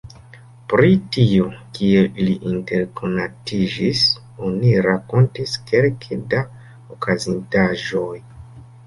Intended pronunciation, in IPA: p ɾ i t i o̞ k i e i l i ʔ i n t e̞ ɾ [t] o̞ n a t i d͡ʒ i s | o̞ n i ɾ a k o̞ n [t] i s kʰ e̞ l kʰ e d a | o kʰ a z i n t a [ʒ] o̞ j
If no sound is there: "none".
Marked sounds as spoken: k, t, ʒ

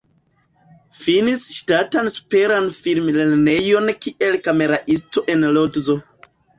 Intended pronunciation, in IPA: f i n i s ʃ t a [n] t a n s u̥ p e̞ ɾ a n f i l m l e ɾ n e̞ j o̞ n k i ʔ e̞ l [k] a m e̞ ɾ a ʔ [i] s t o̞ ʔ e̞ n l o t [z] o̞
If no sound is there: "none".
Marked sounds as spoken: none, k, i, z

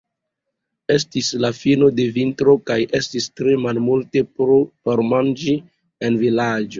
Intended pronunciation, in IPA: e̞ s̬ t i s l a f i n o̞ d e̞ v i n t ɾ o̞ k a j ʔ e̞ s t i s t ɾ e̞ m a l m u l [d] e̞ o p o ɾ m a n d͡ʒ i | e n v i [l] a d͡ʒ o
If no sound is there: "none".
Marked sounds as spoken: t, l

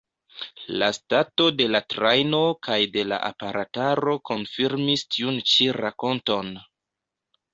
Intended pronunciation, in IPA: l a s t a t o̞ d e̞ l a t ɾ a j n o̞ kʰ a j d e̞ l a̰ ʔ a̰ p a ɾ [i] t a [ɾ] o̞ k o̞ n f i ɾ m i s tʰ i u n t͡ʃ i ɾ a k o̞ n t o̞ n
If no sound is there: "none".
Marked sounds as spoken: a, ɾ

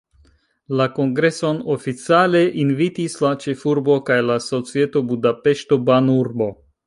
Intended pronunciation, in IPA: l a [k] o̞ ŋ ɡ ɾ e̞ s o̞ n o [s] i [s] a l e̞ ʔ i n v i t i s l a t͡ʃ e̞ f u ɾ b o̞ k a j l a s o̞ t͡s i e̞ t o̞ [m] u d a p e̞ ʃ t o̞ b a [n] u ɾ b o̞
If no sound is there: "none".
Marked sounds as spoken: k, f, t͡s, b, n

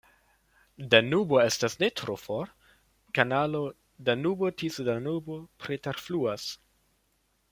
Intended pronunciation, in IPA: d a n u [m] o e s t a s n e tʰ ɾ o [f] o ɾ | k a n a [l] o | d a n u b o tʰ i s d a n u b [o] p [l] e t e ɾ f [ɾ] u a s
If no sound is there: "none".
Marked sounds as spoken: b, f, l, o, ɾ, l

